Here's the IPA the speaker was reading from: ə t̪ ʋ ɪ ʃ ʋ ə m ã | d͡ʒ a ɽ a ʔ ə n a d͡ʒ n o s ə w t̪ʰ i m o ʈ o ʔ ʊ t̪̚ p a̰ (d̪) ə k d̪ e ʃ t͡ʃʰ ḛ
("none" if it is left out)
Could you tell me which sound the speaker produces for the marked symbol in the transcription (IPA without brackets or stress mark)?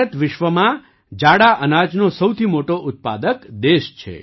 d̪